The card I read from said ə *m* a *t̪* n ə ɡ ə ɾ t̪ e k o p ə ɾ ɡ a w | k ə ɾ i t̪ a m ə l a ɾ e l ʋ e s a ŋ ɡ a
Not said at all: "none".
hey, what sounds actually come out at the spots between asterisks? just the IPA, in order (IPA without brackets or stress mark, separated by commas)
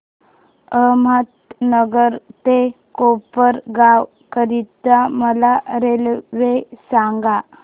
m, t̪